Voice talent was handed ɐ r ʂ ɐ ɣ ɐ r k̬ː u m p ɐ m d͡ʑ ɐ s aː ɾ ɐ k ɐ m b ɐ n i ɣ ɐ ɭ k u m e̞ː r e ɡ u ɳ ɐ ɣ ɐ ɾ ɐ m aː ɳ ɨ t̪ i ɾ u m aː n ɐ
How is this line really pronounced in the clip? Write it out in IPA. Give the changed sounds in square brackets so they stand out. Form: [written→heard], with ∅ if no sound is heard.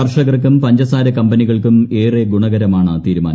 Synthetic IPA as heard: ɐ r ʂ ɐ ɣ ɐ r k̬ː u m p ɐ [m→ɲ] d͡ʑ ɐ s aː ɾ ɐ k ɐ m b ɐ n i ɣ ɐ ɭ k u m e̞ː r e ɡ u ɳ ɐ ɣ ɐ ɾ ɐ m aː ɳ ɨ t̪ [i→iː] ɾ u m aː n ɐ